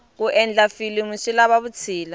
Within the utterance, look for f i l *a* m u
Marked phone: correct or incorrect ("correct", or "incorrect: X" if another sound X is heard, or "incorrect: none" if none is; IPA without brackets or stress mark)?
incorrect: i